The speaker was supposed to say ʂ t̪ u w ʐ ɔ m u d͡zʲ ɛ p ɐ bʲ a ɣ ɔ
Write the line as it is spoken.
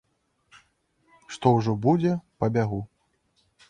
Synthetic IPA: ʂ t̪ ɔ w ʐ ɔ b u d͡zʲ ɛ p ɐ bʲ a ɣ u